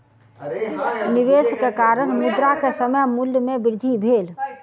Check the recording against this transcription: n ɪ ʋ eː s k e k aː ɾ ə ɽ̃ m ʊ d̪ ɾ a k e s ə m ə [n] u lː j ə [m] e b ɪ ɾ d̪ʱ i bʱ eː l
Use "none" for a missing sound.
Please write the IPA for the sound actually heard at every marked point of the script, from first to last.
m, m

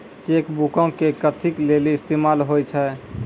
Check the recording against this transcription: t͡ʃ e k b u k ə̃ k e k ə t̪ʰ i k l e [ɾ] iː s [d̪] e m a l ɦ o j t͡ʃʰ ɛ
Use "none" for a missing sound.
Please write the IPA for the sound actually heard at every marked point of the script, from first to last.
l, t̪

